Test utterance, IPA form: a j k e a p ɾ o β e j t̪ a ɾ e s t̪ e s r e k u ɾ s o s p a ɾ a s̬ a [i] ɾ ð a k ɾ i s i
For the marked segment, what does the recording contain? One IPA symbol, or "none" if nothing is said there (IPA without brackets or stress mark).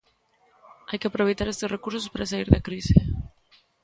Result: i